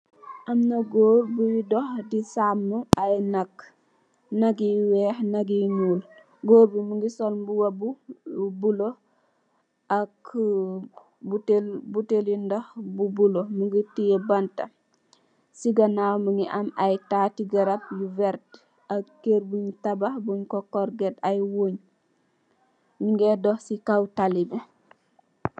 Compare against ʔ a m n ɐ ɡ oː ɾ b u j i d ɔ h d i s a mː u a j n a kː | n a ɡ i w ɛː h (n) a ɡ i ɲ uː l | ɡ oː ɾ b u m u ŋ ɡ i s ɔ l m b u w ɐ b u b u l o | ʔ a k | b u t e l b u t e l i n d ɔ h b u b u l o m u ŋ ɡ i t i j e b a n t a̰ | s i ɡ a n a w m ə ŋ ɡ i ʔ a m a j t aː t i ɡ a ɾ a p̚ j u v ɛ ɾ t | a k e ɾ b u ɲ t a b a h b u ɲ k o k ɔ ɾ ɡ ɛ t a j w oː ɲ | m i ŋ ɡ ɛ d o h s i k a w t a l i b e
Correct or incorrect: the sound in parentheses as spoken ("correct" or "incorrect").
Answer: correct